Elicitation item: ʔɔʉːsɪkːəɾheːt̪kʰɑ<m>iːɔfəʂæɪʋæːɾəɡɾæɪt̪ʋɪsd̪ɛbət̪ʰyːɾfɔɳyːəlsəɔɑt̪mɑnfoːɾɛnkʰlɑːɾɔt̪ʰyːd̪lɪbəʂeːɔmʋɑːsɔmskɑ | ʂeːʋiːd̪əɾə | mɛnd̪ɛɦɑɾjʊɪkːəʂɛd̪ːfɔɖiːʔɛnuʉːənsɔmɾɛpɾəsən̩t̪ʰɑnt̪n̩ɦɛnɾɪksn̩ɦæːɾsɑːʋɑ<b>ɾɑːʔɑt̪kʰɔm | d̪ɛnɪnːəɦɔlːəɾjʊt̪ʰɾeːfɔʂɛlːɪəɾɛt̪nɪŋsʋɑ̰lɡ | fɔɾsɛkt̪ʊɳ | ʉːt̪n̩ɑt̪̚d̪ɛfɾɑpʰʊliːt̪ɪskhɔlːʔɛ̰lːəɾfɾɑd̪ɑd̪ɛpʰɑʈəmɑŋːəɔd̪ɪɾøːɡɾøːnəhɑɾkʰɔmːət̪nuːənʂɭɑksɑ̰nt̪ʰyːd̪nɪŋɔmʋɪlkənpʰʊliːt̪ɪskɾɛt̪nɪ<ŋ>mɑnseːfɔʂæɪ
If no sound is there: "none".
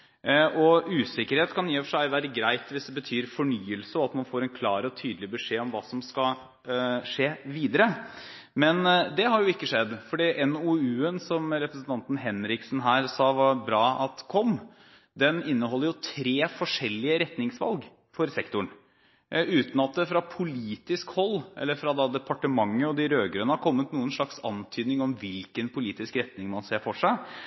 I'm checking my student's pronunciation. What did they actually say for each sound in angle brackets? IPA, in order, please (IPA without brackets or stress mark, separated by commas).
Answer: n, b, ŋ